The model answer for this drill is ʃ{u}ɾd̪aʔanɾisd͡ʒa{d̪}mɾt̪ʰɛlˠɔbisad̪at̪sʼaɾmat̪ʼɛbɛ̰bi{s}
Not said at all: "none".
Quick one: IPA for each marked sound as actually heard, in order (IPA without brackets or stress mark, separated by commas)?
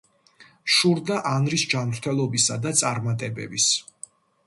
u, none, s